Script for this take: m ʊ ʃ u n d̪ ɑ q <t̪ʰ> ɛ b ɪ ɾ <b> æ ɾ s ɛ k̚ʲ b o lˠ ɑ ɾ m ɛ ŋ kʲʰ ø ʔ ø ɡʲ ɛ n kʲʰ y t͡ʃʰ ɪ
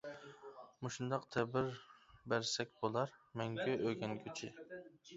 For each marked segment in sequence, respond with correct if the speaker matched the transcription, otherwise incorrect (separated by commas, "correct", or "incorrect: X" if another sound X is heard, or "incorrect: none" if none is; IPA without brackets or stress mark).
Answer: correct, correct